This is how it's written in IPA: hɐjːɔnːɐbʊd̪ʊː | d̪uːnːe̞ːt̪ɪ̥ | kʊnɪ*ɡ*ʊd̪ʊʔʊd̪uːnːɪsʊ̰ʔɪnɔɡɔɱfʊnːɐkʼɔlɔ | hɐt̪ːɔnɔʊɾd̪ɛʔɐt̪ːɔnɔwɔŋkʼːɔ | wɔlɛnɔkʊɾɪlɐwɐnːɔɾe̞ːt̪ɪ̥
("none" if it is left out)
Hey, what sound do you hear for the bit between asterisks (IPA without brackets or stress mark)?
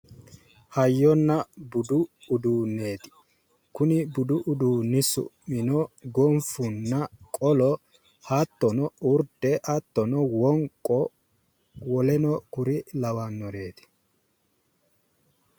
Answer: b